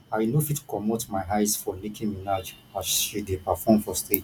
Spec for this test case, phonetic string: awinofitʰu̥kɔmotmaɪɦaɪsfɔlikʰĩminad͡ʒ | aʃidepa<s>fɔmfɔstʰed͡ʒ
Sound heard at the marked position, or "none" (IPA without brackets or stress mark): none